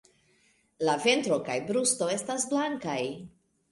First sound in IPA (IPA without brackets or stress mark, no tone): l